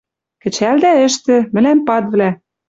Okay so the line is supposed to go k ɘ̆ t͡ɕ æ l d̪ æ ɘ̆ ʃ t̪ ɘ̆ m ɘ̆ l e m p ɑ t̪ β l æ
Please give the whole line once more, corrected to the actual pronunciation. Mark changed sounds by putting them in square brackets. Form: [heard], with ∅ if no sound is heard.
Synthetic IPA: k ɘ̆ t͡ɕ æ l d̪ æ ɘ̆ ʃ t̪ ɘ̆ m ɘ̆ l [æ] m p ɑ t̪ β l æ

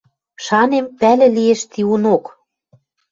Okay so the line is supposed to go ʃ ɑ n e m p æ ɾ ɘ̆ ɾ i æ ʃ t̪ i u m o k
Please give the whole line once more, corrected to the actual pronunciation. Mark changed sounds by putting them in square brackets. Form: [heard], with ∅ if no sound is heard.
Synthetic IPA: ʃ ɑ n e m p æ [l] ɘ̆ [l] i [e] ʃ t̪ i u [n] o k

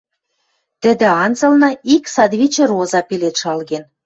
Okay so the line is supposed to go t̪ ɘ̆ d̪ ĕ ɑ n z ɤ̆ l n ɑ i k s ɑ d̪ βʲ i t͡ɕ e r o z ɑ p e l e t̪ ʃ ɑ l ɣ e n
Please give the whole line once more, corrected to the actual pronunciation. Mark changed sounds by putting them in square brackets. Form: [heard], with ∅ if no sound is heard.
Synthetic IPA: t̪ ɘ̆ d̪ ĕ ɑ n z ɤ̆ l n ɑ i k s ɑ d̪ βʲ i t͡ɕ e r o z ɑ p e l e t̪ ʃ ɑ l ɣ e n

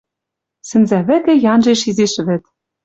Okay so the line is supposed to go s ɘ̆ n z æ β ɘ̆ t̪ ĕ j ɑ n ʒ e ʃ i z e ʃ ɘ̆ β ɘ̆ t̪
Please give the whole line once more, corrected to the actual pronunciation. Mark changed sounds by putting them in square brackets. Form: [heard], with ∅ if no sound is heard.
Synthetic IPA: s ɘ̆ n z æ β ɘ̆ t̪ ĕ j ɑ n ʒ e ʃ i z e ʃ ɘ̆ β ɘ̆ t̪

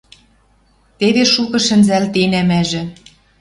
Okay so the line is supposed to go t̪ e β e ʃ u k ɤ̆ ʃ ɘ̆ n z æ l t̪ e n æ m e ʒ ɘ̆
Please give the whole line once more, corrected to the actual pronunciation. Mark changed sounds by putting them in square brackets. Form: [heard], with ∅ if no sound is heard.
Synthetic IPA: t̪ e β e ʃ u k ɤ̆ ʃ ɘ̆ n z æ l t̪ e n æ m [æ] ʒ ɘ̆

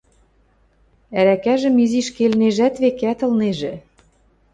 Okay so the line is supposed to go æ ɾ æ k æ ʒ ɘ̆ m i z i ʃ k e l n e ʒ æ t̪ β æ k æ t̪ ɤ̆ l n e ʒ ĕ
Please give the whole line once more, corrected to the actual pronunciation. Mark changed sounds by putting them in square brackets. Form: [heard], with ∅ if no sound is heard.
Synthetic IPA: æ ɾ æ k æ ʒ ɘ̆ m i z i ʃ k e l n e ʒ æ t̪ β [e] k æ t̪ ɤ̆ l n e ʒ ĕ

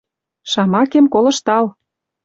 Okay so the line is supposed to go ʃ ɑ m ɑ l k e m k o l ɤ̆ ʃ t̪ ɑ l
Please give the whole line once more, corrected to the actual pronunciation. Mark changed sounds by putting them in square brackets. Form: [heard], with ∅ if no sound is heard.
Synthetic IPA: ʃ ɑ m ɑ [∅] k e m k o l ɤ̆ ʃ t̪ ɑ l

